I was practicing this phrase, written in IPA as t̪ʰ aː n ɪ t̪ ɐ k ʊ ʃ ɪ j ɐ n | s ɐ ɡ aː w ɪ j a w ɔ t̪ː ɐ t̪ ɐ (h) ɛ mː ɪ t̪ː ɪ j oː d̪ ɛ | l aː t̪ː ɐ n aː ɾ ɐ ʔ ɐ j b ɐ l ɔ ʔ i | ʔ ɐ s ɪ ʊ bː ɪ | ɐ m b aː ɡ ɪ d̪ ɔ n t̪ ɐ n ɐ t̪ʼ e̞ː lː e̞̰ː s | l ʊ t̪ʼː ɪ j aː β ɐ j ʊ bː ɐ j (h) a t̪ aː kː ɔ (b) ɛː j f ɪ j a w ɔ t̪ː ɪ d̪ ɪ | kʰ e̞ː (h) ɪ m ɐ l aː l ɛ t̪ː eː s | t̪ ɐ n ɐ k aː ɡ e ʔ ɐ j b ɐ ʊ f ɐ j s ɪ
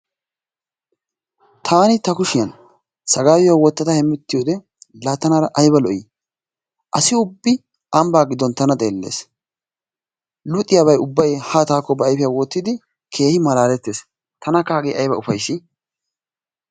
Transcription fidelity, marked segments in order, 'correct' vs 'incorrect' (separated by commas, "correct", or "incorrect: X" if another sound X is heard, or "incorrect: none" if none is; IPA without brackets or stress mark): correct, correct, correct, correct